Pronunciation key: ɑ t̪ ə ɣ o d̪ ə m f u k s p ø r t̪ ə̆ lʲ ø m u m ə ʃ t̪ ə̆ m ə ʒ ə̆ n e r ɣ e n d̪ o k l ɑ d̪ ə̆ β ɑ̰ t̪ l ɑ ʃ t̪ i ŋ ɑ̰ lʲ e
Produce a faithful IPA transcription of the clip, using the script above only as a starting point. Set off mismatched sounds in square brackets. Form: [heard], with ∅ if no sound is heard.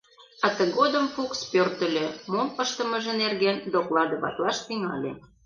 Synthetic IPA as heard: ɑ t̪ ə ɣ o d̪ ə m f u k s p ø r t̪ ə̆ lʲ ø m [o] m ə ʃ t̪ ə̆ m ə ʒ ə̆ n e r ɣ e n d̪ o k l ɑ d̪ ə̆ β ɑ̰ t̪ l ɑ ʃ t̪ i ŋ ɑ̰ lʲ e